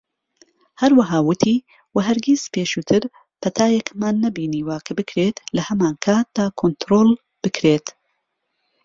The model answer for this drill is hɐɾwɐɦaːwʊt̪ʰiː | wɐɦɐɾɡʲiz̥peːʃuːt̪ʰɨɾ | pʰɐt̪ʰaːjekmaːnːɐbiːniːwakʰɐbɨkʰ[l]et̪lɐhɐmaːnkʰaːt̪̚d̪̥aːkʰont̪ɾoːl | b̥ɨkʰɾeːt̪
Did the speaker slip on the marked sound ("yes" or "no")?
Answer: yes